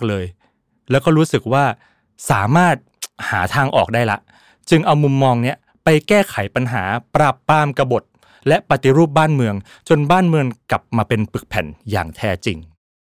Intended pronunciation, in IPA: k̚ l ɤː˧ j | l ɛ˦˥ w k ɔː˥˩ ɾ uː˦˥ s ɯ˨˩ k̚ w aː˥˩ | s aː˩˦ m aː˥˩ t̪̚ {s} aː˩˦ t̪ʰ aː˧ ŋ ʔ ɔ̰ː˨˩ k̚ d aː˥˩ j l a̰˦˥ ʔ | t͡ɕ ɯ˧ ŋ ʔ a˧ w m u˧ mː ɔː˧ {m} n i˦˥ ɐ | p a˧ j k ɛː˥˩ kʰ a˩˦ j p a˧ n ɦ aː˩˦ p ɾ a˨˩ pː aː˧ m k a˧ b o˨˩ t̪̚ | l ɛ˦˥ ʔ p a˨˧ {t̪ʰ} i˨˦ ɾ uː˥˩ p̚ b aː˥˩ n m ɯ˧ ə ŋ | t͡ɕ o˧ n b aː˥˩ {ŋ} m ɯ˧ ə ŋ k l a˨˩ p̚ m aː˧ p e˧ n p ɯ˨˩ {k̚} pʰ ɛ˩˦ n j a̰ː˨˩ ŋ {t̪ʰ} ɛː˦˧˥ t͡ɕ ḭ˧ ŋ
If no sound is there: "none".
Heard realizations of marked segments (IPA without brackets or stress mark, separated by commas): h, ŋ, t̪, n, k̚, t̪ʰ